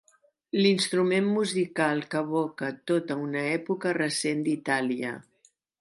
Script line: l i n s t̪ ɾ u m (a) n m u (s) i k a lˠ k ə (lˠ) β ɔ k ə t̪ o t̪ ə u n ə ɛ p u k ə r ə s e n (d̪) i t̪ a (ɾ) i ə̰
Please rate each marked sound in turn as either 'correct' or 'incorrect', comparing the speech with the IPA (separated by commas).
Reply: incorrect, incorrect, incorrect, correct, incorrect